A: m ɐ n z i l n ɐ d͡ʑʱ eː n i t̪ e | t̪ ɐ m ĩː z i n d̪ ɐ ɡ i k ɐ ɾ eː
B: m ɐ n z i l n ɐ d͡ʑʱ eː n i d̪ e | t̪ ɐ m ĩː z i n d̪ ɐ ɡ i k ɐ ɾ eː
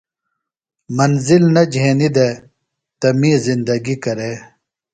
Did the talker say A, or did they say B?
B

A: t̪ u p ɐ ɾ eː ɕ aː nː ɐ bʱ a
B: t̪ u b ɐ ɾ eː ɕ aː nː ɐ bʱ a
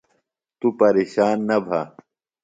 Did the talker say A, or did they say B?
A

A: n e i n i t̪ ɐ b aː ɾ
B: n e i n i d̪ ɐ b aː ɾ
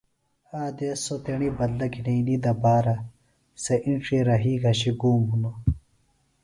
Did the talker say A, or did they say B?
B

